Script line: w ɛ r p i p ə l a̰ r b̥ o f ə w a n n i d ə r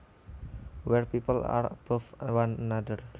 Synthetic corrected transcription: w ɛ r p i p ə l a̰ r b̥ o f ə w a n n a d ə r